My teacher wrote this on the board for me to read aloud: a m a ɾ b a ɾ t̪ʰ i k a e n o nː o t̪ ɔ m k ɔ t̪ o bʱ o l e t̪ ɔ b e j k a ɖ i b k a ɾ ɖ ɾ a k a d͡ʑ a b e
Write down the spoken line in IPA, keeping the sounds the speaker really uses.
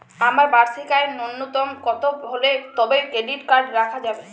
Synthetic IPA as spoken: a m a ɾ b a ɾ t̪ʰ i k a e n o nː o t̪ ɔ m k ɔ t̪ o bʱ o l e t̪ ɔ b e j k e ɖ i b k a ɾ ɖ ɾ a kʰ a d͡ʑ a b e